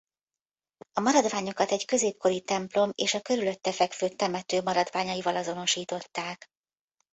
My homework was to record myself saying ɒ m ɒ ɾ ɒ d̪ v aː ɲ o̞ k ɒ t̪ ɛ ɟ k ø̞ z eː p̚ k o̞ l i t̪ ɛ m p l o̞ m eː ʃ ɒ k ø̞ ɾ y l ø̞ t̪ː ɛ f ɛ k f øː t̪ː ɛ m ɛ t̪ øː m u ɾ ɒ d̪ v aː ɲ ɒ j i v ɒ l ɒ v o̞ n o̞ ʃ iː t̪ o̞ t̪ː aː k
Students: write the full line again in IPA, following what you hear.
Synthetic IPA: ɒ m ɒ ɾ ɒ d̪ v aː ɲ o̞ k ɒ t̪ ɛ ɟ k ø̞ z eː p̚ k o̞ ɾ i t̪ ɛ m p l o̞ m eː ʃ ɒ k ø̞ ɾ y l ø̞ t̪ː ɛ f ɛ k f øː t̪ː ɛ m ɛ t̪ øː m ɒ ɾ ɒ d̪ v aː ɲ ɒ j i v ɒ l ɒ z o̞ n o̞ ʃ iː t̪ o̞ t̪ː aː k